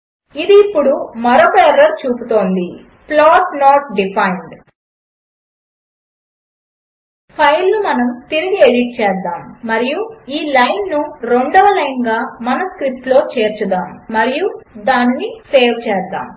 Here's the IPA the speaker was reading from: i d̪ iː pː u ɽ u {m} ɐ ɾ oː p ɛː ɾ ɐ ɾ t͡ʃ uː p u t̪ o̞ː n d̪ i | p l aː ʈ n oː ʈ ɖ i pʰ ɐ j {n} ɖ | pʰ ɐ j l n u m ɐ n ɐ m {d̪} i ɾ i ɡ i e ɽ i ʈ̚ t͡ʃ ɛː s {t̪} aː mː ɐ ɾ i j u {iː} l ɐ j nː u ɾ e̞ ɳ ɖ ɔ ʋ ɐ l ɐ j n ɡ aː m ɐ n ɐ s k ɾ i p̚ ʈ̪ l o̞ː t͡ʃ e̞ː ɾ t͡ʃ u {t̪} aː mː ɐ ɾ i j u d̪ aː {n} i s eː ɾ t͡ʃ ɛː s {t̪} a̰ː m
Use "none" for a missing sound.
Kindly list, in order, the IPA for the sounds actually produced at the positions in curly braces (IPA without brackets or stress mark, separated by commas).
m, ɳ, t̪, d̪, iː, d̪, nː, d̪